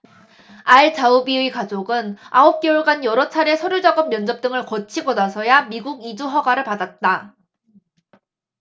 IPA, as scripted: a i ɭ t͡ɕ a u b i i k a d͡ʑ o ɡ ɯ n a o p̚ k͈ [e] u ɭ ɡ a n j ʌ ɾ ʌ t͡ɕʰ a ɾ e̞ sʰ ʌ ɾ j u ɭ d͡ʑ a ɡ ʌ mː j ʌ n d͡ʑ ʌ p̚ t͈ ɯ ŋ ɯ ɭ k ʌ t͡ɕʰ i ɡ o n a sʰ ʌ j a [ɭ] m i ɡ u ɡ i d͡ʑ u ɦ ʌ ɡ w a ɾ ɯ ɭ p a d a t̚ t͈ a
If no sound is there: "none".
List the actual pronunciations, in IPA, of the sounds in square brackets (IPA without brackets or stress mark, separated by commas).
e, none